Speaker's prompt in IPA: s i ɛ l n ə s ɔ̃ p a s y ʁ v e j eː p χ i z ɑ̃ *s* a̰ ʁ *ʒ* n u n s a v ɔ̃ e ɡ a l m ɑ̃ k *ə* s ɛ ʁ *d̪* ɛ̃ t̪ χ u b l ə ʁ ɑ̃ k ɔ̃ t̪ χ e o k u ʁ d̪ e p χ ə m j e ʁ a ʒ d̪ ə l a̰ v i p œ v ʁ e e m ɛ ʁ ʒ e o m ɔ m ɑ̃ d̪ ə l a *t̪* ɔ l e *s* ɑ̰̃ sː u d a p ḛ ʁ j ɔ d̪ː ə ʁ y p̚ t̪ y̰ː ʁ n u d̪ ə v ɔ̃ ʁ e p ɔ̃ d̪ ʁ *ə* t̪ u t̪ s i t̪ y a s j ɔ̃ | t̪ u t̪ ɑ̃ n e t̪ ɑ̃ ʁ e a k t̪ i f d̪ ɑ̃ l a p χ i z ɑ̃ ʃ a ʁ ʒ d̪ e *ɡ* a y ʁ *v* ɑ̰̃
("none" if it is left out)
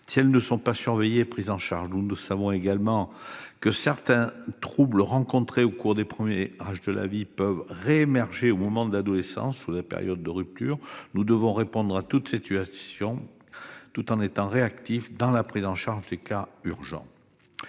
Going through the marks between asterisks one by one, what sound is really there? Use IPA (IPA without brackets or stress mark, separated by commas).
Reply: ʃ, ʒ, ə, t̪, d̪, s, a, k, ʒ